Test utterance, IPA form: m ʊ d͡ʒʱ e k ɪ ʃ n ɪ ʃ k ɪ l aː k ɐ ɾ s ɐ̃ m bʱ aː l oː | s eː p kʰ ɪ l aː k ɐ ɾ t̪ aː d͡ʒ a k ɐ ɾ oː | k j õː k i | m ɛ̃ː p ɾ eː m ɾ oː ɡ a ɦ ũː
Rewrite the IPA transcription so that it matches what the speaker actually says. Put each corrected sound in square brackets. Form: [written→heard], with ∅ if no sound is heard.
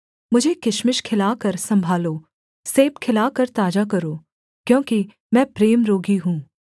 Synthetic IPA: m ʊ d͡ʒʱ e k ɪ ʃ [n→m] ɪ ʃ [k→kʰ] ɪ l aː k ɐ ɾ s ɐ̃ m bʱ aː l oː | s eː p kʰ ɪ l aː k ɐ ɾ t̪ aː d͡ʒ a k ɐ ɾ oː | k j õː k i | m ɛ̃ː p ɾ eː m ɾ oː ɡ [a→i] ɦ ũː